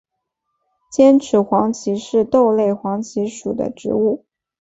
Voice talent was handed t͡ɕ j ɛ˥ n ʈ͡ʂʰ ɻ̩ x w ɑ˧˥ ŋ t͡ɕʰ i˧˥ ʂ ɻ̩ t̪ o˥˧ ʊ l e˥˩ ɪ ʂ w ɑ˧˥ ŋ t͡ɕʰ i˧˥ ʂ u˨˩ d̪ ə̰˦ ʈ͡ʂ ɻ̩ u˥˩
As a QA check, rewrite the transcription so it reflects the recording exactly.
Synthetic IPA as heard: t͡ɕ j ɛ˥ n ʈ͡ʂʰ ɻ̩ x w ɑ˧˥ ŋ t͡ɕʰ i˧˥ ʂ ɻ̩ t̪ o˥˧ ʊ l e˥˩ ɪ x w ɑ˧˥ ŋ t͡ɕʰ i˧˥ ʂ u˨˩ d̪ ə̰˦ ʈ͡ʂ ɻ̩ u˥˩